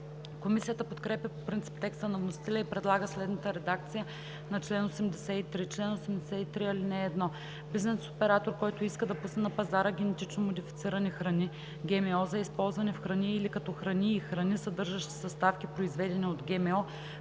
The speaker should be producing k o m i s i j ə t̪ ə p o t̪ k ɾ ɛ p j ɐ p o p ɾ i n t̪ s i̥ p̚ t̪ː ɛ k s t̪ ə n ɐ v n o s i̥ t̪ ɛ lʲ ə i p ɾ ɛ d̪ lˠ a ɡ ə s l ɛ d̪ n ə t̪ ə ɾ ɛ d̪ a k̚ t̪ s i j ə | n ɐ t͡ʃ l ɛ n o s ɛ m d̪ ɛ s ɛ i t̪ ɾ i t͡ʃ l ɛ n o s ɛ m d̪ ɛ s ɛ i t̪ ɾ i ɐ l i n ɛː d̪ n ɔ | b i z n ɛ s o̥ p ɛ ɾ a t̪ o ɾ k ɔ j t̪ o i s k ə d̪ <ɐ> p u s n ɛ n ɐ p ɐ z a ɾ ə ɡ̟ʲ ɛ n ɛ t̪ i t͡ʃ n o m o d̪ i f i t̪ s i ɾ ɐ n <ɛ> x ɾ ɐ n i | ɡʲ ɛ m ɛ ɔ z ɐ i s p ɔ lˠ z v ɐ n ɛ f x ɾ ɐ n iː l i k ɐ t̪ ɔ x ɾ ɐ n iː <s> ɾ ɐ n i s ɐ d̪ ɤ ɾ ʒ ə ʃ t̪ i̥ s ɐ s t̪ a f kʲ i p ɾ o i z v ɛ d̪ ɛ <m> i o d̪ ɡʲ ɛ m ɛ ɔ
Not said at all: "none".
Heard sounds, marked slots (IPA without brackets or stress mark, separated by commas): ɐ, i, x, n